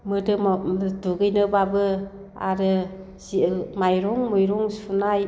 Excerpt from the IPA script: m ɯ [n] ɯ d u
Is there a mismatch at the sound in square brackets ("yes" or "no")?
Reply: yes